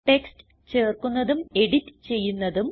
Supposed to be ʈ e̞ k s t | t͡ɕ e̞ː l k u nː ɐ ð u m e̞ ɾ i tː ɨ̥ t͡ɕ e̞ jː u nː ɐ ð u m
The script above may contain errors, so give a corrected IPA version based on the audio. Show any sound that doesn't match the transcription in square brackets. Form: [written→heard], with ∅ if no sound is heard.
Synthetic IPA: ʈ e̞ k s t | t͡ɕ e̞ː [l→r] k u nː ɐ ð u m e̞ [ɾ→ɽ] i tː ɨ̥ t͡ɕ e̞ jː u nː ɐ ð u m